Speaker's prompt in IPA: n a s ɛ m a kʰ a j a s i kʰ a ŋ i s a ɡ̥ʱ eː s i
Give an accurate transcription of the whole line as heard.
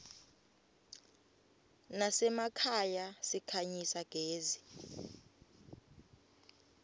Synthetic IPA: n a s ɛ m a kʰ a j a s i kʰ a ɲ i s a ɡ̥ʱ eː z i